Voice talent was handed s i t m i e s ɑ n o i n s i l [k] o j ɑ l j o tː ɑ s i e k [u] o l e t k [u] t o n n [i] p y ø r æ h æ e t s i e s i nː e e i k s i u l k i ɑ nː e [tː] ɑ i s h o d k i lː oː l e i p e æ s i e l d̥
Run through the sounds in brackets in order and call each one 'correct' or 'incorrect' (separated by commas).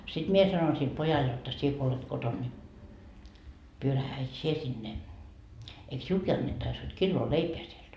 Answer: incorrect, incorrect, incorrect, correct, correct